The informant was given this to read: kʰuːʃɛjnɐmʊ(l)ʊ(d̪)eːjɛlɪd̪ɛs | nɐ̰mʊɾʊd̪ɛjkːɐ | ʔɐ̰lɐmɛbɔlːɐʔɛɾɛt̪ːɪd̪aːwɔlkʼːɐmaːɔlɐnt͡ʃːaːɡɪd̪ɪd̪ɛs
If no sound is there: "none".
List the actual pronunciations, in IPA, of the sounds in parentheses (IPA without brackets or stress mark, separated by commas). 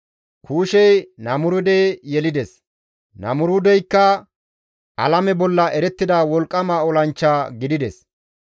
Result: ɾ, d̪